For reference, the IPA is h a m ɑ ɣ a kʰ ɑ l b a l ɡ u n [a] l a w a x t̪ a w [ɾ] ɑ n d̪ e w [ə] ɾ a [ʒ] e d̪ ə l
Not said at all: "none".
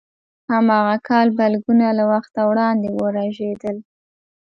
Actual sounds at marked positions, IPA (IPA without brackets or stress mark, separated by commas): a, ɽ, ə, ʒ